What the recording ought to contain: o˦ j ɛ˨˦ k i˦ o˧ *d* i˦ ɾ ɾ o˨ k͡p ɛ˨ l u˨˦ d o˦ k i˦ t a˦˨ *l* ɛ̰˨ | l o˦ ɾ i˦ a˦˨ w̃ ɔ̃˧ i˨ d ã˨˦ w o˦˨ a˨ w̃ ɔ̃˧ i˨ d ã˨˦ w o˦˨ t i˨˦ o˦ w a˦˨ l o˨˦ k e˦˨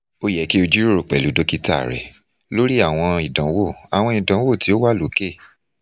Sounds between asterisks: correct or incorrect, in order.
incorrect: d͡ʒ, incorrect: ɾ

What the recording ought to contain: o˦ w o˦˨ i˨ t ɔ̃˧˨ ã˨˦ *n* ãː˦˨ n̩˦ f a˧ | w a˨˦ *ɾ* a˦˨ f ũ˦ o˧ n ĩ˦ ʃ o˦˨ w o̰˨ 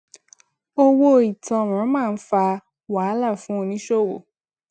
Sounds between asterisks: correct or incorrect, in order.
incorrect: m, incorrect: l

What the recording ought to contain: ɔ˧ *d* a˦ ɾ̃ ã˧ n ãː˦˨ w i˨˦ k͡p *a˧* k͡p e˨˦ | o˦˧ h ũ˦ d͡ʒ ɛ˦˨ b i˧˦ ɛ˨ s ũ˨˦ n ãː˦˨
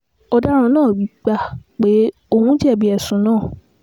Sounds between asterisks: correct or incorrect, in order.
correct, correct

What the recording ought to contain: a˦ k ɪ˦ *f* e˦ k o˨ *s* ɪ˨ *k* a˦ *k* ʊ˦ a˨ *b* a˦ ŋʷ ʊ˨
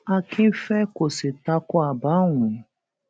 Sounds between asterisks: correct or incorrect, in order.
correct, correct, incorrect: t, correct, correct

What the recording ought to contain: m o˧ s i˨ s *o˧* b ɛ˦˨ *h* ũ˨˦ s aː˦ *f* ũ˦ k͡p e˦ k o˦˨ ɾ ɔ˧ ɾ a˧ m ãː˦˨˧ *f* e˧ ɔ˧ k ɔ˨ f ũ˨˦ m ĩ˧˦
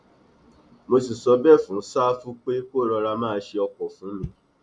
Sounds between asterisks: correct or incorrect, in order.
incorrect: ɔ˧, incorrect: f, correct, incorrect: ʃ

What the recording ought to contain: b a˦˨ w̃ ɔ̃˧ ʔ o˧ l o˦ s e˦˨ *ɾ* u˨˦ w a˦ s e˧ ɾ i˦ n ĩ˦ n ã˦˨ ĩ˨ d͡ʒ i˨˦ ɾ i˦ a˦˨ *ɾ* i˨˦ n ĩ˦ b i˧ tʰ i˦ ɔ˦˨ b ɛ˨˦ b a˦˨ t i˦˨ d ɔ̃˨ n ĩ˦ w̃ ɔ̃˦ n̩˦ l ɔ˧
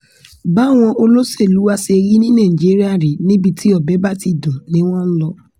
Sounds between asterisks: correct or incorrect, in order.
incorrect: l, correct

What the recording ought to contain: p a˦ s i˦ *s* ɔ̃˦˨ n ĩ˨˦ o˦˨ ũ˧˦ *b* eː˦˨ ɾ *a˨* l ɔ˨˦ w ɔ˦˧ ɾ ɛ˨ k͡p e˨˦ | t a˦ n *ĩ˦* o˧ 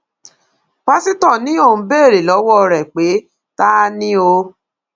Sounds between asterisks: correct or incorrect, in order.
incorrect: t, correct, incorrect: e˨, correct

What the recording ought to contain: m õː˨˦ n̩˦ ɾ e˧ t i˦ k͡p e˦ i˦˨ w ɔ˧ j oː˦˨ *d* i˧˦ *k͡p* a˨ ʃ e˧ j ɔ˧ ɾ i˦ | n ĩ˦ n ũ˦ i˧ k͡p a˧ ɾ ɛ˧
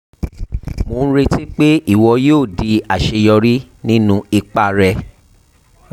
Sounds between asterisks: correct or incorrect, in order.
correct, incorrect: none

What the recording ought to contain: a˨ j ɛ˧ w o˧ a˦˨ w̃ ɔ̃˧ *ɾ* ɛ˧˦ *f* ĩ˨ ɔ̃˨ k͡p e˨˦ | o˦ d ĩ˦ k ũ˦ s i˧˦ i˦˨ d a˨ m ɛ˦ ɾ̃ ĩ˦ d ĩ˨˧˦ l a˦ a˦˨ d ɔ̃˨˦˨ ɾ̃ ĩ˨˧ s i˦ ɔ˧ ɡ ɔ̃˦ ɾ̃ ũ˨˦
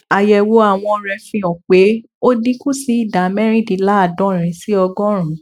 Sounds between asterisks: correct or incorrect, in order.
correct, correct

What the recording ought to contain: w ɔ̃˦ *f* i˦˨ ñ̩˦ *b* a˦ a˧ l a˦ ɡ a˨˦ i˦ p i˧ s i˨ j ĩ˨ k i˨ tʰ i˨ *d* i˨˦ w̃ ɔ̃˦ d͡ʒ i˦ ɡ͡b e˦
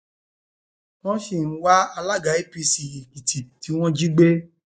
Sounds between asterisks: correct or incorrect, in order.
incorrect: ʃ, incorrect: w, incorrect: t

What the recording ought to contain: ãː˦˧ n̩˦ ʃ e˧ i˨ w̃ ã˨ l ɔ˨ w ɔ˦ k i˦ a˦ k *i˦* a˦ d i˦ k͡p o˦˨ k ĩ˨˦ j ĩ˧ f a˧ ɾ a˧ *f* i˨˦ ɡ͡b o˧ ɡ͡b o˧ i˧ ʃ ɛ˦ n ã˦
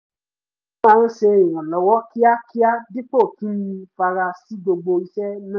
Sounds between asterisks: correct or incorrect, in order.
correct, incorrect: s

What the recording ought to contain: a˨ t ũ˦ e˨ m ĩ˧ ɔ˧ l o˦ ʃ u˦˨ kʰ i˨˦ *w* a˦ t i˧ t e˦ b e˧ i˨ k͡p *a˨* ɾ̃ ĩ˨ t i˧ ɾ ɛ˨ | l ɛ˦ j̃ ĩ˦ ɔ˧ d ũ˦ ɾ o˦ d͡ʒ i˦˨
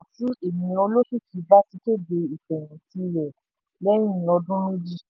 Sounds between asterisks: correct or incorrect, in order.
incorrect: b, incorrect: ɛ˨

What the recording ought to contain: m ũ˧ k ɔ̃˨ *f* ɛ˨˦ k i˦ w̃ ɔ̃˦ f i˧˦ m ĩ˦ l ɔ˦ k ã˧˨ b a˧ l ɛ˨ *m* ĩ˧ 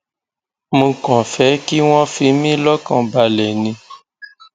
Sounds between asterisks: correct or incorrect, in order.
correct, incorrect: n

